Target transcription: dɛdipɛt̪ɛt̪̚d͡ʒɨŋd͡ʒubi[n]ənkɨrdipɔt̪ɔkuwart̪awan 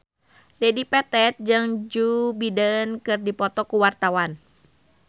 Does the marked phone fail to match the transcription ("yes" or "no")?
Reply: yes